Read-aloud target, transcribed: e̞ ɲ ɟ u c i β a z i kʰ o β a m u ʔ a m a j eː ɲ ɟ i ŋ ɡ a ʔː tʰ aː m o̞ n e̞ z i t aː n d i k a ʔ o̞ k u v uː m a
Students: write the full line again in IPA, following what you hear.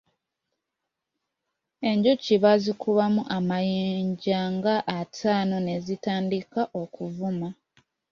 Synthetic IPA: e̞ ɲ ɟ u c i β a z i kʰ u β a m u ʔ a m a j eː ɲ ɟ a ŋ ɡ a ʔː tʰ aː n o̞ n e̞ z i t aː n d i k a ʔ o̞ k u v u m a